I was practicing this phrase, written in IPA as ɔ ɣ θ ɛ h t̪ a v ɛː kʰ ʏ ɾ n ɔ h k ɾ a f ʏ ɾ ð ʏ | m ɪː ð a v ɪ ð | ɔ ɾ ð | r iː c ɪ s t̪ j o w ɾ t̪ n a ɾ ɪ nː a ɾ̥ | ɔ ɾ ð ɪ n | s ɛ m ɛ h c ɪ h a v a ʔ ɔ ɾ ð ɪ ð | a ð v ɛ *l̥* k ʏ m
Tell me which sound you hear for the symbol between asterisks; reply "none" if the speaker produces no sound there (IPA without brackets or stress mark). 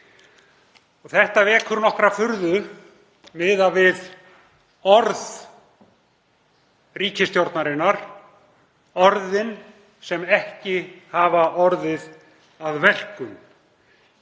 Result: l̥